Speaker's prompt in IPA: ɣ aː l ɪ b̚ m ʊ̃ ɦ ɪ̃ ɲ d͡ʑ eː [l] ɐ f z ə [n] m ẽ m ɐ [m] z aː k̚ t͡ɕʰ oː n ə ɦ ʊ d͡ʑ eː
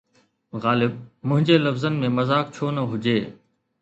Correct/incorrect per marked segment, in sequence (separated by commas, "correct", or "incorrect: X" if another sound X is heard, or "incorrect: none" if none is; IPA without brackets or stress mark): correct, correct, incorrect: none